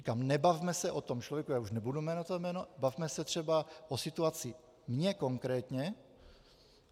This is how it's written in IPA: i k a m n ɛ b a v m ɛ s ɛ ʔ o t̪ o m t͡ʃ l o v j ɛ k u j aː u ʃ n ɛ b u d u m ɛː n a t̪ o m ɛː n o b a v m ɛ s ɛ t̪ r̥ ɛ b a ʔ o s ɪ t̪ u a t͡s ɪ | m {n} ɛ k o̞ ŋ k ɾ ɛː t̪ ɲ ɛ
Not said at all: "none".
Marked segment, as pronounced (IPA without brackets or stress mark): ɲ